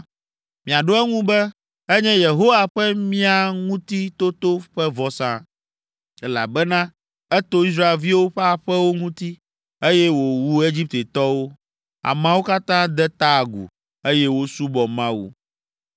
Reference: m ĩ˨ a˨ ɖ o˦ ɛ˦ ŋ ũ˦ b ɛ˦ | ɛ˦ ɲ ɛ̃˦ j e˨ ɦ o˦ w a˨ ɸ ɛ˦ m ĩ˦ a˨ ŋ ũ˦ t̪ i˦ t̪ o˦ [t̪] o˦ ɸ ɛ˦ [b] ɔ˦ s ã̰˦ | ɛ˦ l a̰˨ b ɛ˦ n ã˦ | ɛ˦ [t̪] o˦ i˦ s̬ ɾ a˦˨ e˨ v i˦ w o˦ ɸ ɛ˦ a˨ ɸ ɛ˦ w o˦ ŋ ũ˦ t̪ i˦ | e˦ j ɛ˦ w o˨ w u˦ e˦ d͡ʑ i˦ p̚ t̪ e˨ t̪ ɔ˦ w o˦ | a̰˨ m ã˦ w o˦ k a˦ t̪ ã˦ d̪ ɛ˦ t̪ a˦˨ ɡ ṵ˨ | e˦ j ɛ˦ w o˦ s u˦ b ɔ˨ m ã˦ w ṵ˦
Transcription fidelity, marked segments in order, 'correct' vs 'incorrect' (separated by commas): correct, incorrect, correct